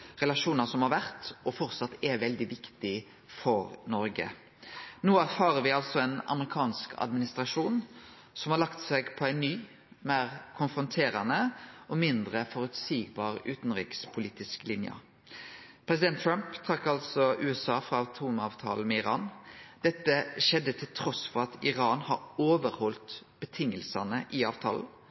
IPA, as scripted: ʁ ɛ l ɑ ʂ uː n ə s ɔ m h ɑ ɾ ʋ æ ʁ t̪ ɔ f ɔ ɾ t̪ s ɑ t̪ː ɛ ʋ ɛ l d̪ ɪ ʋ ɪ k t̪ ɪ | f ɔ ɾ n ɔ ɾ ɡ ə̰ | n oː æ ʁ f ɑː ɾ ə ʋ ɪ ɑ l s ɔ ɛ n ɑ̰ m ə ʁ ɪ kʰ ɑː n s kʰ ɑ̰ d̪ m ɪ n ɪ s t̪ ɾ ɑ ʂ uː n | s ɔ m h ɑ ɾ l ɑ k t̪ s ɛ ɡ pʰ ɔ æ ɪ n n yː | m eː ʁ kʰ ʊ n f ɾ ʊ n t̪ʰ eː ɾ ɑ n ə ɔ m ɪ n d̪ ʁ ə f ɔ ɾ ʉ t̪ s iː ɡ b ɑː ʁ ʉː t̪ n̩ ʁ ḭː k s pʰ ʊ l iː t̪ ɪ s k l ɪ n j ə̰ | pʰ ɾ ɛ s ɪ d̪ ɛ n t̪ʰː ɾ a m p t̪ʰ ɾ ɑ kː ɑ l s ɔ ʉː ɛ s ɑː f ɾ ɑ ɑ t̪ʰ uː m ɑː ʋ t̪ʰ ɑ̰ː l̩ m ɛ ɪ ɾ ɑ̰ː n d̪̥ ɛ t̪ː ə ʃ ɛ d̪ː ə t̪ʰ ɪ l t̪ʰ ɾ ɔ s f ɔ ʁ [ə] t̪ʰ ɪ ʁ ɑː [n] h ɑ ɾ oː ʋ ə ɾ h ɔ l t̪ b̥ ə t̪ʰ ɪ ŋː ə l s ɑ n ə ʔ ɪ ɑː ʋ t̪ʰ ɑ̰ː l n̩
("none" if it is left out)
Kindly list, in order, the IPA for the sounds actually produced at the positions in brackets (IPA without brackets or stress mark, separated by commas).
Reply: ɑ, n